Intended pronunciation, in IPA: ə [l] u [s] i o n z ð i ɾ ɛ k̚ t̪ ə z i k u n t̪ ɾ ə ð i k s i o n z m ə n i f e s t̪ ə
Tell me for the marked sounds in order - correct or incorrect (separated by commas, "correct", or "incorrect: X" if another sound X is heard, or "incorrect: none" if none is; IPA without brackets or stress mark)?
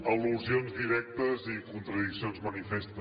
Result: correct, incorrect: z